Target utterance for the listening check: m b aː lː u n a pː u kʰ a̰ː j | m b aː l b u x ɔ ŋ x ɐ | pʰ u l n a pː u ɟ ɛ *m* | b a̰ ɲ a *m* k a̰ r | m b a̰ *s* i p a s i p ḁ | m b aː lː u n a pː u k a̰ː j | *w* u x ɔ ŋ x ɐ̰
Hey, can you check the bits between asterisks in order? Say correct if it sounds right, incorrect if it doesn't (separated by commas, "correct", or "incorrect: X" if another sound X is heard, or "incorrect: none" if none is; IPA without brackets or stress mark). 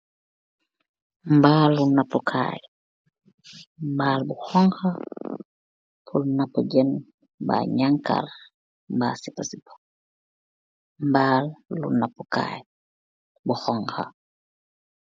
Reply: incorrect: n, incorrect: ŋ, correct, incorrect: b